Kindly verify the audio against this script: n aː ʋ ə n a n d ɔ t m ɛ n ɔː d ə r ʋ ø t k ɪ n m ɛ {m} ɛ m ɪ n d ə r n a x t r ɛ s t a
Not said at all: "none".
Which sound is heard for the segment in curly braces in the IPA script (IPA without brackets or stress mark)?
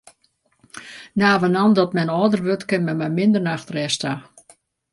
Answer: m